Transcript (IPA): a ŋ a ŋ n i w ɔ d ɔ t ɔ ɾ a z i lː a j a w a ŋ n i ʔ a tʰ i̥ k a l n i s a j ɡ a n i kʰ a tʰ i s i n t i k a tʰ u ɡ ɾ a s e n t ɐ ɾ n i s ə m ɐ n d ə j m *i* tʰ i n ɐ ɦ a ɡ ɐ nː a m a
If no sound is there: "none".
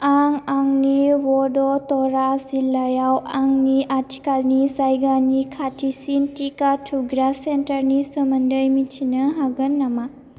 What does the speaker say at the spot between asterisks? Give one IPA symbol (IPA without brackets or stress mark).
i